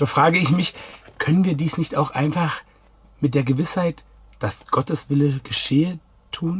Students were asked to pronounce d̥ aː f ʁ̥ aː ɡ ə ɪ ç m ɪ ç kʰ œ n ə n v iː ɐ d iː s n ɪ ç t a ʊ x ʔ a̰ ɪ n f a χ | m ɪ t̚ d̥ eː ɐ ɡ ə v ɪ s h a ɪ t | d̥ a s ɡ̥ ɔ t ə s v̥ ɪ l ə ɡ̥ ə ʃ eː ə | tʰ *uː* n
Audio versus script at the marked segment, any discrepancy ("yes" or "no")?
no